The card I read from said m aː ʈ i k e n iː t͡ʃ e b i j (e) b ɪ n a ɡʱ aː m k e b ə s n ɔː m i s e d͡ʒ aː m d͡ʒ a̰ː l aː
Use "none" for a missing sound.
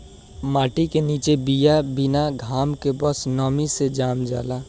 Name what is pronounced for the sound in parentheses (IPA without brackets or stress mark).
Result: a